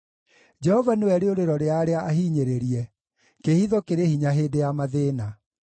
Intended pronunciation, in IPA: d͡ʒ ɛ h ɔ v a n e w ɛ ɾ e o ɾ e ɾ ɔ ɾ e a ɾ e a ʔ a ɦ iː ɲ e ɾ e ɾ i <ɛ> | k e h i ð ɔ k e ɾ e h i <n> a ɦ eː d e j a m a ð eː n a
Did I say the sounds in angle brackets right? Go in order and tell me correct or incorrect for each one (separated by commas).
correct, incorrect